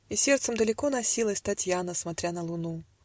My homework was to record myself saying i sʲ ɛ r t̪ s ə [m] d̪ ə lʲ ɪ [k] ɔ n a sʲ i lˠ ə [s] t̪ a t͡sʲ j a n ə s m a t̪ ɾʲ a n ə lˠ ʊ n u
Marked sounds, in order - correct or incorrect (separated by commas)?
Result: correct, correct, correct